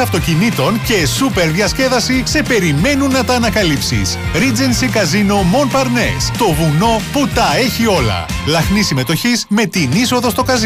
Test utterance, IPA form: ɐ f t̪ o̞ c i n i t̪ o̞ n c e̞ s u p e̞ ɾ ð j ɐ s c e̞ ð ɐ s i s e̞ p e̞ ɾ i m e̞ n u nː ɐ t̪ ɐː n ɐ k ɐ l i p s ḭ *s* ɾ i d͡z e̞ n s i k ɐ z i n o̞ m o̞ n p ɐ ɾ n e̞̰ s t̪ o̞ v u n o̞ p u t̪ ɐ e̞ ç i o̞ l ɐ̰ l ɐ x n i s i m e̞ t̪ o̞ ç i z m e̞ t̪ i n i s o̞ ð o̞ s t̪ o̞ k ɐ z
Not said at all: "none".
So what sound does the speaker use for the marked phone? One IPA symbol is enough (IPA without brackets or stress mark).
s